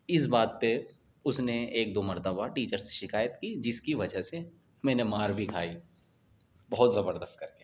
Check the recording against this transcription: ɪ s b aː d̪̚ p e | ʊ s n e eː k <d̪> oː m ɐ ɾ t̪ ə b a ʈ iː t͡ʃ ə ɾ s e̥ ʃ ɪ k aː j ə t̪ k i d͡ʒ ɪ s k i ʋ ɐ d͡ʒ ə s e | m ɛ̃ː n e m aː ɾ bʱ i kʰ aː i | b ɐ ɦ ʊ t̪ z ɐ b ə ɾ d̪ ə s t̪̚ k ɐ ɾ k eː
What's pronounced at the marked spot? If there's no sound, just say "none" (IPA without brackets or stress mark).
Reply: d̪